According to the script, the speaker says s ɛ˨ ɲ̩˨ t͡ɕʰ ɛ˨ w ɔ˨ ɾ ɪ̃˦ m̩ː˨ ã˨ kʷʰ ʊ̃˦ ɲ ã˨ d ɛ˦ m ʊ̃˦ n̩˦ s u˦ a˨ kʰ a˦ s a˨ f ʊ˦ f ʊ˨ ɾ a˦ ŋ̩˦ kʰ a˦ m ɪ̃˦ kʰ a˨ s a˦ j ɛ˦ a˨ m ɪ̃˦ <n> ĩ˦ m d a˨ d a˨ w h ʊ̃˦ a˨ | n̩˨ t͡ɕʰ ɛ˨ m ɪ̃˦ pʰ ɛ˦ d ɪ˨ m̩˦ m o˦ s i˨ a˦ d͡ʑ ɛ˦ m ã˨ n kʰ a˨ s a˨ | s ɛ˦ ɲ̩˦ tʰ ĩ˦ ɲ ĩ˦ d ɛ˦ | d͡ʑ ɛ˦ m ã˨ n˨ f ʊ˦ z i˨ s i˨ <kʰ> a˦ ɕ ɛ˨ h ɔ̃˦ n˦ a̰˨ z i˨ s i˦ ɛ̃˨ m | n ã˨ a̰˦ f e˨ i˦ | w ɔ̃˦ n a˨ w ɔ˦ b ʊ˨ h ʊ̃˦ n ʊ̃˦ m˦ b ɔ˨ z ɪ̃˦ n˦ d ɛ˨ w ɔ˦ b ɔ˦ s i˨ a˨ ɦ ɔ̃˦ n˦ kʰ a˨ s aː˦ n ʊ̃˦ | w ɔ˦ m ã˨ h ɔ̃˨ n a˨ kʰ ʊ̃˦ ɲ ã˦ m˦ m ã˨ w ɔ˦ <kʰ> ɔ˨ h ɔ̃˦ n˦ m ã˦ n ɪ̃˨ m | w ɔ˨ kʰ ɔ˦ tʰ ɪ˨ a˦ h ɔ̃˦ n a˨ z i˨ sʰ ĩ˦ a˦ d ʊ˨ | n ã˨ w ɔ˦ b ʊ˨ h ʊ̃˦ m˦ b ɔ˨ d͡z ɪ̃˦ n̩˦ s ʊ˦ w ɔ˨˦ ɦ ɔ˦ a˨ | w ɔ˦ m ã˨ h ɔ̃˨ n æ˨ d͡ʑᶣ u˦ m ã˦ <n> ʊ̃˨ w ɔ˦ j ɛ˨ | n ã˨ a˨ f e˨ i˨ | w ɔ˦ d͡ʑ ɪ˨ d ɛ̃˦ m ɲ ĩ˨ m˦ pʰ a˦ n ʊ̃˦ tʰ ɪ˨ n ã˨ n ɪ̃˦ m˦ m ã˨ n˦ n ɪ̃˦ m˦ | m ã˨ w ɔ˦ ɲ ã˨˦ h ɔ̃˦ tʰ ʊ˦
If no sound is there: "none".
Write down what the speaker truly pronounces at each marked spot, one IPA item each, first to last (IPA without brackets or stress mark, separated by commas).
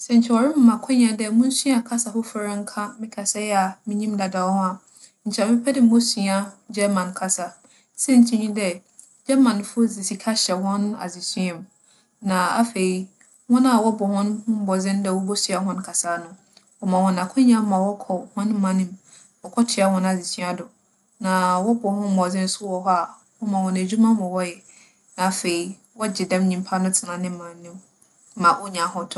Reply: ɲ, kʰ, kʰ, m